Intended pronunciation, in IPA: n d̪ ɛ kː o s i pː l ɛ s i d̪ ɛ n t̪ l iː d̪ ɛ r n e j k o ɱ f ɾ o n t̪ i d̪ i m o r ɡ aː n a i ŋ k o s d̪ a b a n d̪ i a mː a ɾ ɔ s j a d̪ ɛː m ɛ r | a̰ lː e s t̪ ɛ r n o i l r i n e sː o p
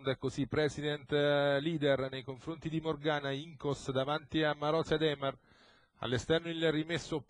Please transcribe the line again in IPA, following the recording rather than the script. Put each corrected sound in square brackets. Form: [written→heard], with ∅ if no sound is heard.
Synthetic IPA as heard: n d̪ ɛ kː o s i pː [l→ɾ] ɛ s i d̪ ɛ n t̪ l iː d̪ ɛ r n e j k o ɱ f ɾ o n t̪ i d̪ i m o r ɡ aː n a i ŋ k o s d̪ a [b→v] a n [d̪→t̪] i a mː a ɾ ɔ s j a d̪ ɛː m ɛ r | a̰ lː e s t̪ ɛ r n o i l r i [n→m] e sː o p